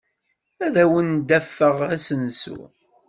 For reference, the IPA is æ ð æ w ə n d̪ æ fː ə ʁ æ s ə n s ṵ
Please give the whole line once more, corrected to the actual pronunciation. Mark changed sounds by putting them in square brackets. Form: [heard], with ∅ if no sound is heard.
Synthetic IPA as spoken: æ ð æ w ə n d̪ æ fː ə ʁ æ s ə n s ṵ

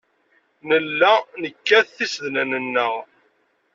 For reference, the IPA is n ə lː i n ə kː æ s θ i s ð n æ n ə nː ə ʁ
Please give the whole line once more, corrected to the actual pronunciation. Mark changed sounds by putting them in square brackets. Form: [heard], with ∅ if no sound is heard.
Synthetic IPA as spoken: n ə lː [æ] n ə kː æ [θ] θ i s ð n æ n ə nː ə ʁ

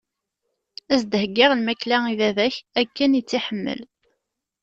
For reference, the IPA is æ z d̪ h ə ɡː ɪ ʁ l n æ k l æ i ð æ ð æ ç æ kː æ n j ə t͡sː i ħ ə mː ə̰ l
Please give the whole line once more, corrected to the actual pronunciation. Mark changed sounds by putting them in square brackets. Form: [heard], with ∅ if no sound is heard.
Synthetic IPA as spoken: æ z d̪ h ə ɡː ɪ ʁ l [m] æ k l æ i ð æ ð æ ç æ kː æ n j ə t͡sː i ħ ə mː ə̰ l

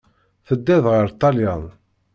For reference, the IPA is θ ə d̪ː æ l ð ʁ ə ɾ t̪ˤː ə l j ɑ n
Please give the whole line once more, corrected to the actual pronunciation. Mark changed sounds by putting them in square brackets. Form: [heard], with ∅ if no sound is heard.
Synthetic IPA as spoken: θ ə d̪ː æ [∅] ð ʁ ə ɾ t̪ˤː [ɑ] l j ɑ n

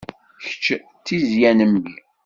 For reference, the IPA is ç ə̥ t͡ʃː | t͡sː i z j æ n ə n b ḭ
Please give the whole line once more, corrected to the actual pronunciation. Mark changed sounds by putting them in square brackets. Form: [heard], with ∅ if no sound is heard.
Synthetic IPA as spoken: ç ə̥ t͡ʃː | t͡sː i z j æ n ə [m] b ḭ

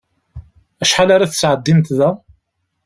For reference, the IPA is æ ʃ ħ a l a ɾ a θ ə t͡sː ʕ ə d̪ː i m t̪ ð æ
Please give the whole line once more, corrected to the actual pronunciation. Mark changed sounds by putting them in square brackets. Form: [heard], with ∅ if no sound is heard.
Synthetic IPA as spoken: æ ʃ ħ a l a ɾ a θ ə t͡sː ʕ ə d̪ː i m t̪ ð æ

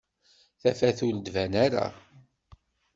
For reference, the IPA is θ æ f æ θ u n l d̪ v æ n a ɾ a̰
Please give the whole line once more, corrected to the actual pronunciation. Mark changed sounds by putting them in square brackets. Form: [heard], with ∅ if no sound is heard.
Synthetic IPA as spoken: θ æ f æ θ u [∅] l d̪ v æ n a ɾ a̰

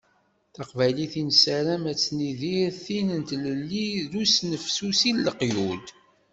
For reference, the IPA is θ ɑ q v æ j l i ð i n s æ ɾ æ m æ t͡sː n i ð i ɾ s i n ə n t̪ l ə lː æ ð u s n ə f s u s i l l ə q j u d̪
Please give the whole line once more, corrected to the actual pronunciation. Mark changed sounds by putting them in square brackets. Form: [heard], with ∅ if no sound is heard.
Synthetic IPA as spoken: θ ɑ q v æ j l i [θ] i n s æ ɾ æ m æ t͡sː n i ð i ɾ [θ] i n ə n t̪ l ə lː [i] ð u s n ə f s u s i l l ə q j u d̪

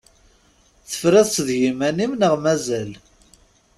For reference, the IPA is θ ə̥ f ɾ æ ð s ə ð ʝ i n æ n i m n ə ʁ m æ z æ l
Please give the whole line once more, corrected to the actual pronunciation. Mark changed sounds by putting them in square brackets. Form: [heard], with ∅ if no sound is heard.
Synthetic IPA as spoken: θ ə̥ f ɾ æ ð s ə ð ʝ i [m] æ n i m n ə ʁ m æ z æ l

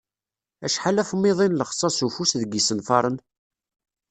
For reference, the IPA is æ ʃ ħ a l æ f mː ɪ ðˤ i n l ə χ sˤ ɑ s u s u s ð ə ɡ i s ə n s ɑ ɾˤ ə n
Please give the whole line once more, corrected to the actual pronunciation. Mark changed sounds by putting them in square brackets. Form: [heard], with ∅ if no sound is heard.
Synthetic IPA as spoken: æ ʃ ħ a l æ f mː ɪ ðˤ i n l ə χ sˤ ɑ s u [f] u s ð ə ɡ i s ə n [f] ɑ ɾˤ ə n

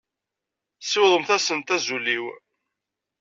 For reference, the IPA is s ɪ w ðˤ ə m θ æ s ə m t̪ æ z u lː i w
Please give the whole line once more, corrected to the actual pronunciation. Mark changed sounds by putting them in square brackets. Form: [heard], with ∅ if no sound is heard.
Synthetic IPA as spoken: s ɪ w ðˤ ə m θ æ s ə [n] t̪ æ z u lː i w

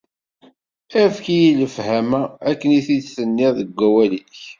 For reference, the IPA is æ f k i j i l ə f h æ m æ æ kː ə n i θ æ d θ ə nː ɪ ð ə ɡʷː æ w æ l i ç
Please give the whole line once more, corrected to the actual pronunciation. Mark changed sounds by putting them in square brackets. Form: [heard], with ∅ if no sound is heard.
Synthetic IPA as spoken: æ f k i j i l ə f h æ m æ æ kː ə n i θ [i] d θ ə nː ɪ ð ə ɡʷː æ w æ l i ç

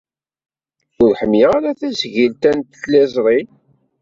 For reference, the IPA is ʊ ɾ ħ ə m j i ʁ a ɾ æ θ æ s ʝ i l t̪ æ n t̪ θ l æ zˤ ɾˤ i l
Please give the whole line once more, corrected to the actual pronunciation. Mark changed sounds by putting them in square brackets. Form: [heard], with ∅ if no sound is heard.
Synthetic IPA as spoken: ʊ ɾ ħ ə m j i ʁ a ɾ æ θ æ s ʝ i l t̪ æ n t̪ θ l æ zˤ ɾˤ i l

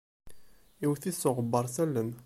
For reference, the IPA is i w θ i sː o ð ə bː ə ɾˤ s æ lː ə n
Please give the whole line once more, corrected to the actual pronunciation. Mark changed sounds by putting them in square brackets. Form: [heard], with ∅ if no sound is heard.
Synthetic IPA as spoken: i w θ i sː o [ʁ] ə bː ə ɾˤ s æ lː ə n

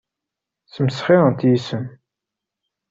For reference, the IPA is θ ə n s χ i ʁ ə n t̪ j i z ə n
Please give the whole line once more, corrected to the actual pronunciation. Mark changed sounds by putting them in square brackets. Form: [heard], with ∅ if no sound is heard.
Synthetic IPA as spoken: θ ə [m] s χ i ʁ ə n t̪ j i [s] ə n

